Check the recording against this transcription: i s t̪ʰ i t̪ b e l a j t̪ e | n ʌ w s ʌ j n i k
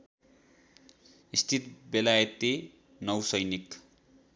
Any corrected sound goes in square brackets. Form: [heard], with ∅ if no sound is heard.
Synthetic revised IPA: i s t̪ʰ i t̪ b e l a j t̪ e | n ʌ w s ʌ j n i k